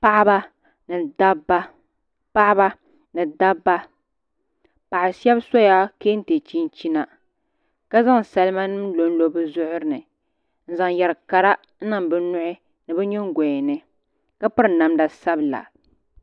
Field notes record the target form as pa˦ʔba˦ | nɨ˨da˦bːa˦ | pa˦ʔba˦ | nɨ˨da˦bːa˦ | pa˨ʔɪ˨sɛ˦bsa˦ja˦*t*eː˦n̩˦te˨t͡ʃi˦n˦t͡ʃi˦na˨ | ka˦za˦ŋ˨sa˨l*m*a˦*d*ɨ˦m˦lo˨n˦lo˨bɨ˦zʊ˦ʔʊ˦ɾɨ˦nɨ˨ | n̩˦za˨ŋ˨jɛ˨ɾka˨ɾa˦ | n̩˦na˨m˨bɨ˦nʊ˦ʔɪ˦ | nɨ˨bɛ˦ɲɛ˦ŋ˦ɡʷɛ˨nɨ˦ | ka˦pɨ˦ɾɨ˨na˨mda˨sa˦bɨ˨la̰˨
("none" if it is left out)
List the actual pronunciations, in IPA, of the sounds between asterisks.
k, m, n

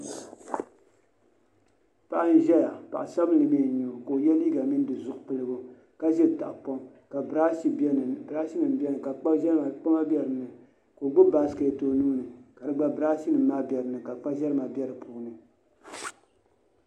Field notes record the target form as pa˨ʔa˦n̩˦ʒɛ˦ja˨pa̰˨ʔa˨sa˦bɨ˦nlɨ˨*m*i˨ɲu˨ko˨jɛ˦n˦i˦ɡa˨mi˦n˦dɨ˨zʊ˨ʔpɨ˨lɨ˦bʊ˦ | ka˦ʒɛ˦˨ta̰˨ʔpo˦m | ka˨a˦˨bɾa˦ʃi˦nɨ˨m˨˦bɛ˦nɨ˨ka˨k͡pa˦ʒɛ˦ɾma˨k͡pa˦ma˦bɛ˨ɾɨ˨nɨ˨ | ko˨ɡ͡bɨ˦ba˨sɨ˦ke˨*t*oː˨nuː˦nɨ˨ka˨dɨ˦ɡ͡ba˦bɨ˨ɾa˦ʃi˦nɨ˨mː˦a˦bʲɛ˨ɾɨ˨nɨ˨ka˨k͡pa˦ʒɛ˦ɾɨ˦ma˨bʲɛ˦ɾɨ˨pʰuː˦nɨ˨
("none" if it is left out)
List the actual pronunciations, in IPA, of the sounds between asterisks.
m, t

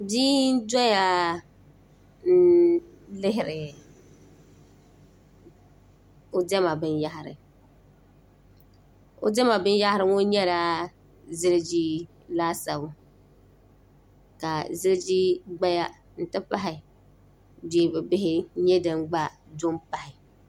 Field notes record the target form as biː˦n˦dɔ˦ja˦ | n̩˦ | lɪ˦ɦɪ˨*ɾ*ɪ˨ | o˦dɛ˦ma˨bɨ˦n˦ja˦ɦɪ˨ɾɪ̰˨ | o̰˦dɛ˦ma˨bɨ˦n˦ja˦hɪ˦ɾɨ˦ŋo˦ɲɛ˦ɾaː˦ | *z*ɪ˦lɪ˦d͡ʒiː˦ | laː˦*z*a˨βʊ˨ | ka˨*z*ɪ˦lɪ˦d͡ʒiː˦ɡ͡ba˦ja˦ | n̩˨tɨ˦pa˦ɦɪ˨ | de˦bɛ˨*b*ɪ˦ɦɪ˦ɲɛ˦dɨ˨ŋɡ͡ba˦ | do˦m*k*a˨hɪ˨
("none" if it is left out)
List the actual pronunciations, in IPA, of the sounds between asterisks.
ɾ, z, s, z, b, p

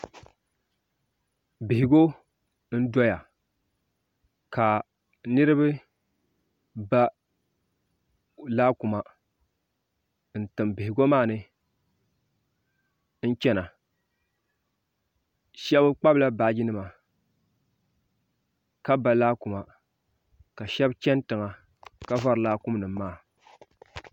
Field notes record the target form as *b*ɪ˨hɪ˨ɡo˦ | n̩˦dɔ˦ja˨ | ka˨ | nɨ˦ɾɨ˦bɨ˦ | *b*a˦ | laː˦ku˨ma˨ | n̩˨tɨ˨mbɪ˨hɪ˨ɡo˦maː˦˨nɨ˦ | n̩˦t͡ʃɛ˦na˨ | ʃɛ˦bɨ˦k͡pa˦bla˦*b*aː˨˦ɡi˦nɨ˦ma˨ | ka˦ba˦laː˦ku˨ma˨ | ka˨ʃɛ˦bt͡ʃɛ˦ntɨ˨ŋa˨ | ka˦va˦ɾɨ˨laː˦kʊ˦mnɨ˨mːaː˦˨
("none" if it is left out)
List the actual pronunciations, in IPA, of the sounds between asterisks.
b, b, b

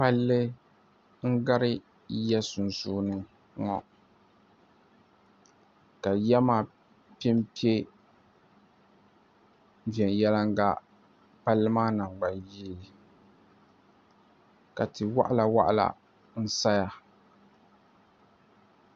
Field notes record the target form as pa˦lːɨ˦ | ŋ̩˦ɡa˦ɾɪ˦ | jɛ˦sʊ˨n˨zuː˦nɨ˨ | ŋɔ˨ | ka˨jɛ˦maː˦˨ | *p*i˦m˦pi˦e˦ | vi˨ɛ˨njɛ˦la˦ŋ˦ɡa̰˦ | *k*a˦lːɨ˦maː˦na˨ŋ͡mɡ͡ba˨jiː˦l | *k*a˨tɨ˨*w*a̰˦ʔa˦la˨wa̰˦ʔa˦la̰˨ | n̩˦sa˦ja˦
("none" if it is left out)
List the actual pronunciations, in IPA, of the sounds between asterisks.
p, p, k, w

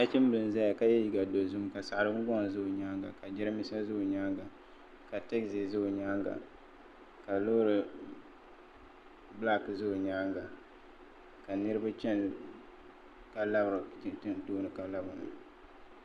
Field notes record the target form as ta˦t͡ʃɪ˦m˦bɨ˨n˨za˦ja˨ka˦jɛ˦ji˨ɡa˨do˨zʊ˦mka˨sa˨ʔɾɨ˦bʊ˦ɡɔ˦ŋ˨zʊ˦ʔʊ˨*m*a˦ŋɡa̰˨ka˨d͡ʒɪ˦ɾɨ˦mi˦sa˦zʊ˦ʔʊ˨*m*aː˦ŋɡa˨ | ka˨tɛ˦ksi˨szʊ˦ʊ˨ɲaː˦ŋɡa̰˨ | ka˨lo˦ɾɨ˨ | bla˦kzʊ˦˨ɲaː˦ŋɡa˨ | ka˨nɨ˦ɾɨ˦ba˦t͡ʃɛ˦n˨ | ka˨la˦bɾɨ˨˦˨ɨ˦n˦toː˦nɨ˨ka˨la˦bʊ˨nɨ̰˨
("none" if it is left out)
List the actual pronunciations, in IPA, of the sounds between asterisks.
ɲ, ɲ

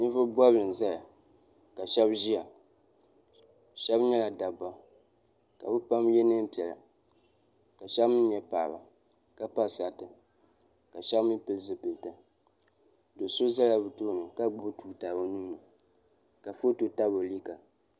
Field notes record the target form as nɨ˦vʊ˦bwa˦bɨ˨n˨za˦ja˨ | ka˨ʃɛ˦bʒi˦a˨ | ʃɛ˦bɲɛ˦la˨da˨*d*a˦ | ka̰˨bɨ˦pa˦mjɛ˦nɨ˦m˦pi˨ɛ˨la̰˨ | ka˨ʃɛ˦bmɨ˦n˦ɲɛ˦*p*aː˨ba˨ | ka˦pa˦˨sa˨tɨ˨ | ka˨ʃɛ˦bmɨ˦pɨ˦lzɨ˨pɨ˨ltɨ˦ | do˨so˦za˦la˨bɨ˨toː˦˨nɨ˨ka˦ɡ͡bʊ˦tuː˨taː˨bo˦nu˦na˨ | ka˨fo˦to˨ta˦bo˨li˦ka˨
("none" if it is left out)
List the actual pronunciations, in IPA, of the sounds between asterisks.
b, p

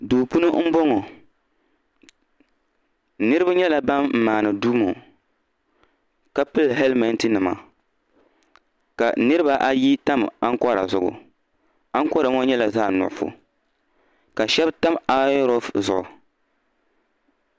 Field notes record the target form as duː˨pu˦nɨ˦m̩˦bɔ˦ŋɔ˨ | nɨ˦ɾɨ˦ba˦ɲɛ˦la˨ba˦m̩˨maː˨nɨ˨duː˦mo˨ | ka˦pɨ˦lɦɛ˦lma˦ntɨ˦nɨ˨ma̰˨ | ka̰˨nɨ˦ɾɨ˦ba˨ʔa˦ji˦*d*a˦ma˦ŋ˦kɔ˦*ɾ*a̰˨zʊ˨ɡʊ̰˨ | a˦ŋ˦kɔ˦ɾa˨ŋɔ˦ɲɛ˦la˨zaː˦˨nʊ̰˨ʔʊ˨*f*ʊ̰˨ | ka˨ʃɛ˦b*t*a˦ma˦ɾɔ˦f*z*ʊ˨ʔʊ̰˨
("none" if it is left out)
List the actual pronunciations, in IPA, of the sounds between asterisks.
t, ɾ, f, t, z

